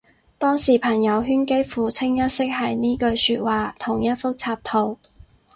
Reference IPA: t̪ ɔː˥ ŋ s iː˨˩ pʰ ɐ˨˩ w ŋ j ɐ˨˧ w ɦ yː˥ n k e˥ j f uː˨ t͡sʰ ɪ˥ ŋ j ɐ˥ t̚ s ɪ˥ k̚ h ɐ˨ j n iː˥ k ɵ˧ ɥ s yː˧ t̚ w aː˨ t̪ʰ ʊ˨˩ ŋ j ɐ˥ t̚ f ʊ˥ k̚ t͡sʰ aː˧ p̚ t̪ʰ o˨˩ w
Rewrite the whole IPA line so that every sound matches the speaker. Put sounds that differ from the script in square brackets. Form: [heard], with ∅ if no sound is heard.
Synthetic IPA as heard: t̪ ɔː˥ ŋ s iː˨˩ pʰ ɐ˨˩ [∅] ŋ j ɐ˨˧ w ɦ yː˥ n k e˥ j f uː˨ t͡sʰ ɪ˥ ŋ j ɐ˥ t̚ s ɪ˥ k̚ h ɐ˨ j n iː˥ k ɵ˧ ɥ s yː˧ t̚ w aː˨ t̪ʰ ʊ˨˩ ŋ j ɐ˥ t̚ f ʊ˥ k̚ t͡sʰ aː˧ p̚ t̪ʰ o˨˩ w